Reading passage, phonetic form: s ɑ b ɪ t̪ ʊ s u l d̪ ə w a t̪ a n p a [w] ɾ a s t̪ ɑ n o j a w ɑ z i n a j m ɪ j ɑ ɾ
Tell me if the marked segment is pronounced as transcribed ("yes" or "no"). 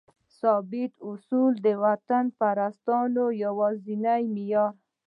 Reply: no